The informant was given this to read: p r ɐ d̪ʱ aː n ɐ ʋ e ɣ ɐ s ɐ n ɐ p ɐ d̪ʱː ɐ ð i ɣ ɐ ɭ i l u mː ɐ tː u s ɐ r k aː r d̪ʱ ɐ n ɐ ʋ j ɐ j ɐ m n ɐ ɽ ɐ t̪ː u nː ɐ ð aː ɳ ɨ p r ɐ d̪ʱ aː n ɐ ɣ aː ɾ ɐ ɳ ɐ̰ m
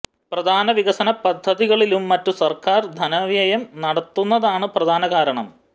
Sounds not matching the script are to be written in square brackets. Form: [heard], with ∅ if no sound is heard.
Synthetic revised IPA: p r ɐ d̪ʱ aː n ɐ ʋ [i] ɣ ɐ s ɐ n ɐ p ɐ d̪ʱː ɐ ð i ɣ ɐ ɭ i l u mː ɐ tː u s ɐ r k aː r d̪ʱ ɐ n ɐ ʋ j ɐ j ɐ m n ɐ ɽ ɐ t̪ː u nː ɐ ð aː ɳ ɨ p r ɐ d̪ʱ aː n ɐ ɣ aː ɾ ɐ ɳ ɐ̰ m